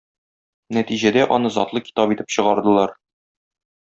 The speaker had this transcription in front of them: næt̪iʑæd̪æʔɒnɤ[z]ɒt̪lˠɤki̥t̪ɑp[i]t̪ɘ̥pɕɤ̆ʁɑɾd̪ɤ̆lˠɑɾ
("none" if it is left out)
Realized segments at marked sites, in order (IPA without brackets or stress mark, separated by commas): z, i